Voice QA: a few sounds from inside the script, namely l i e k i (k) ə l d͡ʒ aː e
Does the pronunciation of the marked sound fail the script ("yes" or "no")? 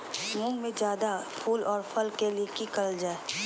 no